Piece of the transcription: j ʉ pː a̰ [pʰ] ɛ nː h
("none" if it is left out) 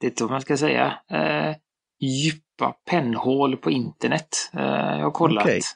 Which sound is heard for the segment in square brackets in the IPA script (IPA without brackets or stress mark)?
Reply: pʰ